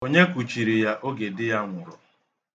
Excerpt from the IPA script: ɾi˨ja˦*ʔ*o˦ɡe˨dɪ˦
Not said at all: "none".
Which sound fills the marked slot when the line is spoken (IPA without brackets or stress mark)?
ʔ